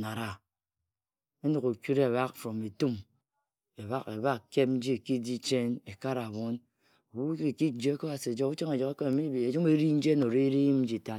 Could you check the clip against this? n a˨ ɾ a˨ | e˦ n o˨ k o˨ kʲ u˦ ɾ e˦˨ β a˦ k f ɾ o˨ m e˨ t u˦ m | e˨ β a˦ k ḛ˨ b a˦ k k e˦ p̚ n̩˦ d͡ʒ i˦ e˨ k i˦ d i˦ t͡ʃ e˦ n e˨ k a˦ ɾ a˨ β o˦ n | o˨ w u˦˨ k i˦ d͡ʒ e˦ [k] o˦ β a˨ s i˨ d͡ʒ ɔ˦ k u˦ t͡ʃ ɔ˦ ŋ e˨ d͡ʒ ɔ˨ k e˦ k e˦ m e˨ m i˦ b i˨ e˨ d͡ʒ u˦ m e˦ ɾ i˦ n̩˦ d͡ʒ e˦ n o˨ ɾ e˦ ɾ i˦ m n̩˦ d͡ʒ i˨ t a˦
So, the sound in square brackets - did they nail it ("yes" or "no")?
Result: yes